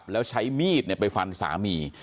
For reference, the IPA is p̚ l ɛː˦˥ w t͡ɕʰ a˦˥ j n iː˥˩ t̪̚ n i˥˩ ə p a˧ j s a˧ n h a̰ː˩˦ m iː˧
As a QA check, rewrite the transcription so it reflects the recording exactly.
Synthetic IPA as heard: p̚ l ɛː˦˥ w t͡ɕʰ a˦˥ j m iː˥˩ t̪̚ n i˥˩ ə p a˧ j f a˧ n s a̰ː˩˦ m iː˧

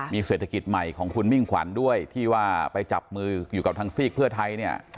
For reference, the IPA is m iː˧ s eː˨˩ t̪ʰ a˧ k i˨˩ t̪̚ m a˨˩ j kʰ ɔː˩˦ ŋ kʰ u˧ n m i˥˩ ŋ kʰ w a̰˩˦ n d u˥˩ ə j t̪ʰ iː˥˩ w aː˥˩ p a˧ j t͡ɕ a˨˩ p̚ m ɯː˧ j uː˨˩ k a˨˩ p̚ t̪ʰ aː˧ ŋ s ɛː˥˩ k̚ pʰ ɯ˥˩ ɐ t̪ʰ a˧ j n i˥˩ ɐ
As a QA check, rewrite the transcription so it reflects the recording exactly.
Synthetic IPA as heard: m iː˧ s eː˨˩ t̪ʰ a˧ k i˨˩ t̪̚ m a˨˩ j kʰ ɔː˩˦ ŋ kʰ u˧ n m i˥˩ ŋ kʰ w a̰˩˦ n d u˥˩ ə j t̪ʰ iː˥˩ w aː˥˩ p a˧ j t͡ɕ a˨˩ p̚ m ɯː˧ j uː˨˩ k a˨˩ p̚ t̪ʰ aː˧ ŋ s iː˥˩ k̚ pʰ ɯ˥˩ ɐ t̪ʰ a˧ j n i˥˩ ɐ

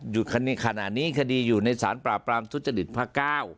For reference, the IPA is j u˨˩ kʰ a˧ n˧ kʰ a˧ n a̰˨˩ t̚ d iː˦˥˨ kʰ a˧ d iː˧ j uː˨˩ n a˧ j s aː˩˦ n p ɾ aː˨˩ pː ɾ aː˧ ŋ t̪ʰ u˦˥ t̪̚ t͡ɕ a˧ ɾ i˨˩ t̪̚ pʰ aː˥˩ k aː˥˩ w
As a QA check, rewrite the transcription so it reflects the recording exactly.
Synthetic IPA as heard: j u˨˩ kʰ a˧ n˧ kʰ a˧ n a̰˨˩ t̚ n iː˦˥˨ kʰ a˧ d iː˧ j uː˨˩ n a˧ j s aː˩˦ n p ɾ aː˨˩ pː ɾ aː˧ m t̪ʰ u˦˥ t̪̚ t͡ɕ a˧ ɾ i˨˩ t̪̚ pʰ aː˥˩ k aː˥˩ w

